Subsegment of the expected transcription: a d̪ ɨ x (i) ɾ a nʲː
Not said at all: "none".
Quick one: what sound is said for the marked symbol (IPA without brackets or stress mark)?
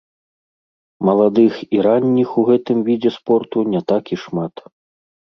i